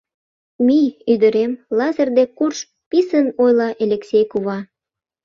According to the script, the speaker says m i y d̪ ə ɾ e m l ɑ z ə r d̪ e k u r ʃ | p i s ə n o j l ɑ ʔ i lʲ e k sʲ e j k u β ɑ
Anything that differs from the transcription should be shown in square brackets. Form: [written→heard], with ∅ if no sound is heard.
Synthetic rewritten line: m i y d̪ ə ɾ e m l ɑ z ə r d̪ e k u r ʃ | p i s ə n o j l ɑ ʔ [i→e] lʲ e k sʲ e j k u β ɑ